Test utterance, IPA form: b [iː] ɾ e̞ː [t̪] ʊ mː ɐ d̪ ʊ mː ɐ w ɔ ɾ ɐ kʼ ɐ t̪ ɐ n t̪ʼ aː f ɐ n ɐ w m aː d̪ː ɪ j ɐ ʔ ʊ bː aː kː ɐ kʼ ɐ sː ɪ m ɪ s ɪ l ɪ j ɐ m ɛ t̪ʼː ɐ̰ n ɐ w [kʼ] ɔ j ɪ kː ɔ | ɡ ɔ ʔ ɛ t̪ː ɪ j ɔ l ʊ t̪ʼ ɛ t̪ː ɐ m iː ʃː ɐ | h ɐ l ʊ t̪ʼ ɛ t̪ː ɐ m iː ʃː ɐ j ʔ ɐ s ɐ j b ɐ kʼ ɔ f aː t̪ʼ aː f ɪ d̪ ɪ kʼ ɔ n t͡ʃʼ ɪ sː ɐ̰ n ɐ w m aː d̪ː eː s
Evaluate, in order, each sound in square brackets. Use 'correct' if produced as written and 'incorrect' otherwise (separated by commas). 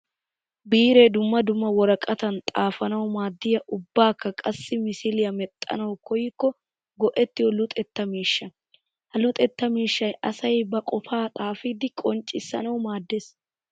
correct, incorrect, incorrect